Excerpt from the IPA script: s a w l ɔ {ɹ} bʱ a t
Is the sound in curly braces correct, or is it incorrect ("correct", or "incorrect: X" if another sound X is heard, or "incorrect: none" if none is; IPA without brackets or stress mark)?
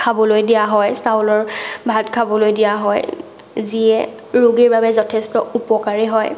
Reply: correct